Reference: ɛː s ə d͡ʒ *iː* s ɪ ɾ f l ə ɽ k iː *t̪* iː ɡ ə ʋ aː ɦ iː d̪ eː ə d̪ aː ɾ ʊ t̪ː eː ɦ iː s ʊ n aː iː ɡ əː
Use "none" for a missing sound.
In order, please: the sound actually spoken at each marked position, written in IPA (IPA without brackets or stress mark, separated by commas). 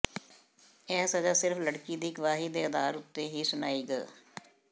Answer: aː, d̪